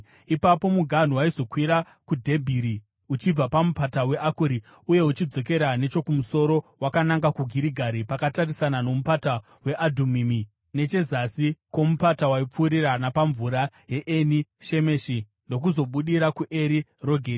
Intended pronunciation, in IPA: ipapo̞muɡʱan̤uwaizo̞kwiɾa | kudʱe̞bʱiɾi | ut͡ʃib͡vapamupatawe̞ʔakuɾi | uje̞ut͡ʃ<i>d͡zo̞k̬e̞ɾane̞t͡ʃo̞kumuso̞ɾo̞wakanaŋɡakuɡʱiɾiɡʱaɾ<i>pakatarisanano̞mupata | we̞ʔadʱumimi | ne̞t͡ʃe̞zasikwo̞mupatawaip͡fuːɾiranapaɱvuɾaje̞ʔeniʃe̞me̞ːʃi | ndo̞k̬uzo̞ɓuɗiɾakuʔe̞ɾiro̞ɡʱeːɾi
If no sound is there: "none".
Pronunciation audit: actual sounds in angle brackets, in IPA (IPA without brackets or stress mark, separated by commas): i, i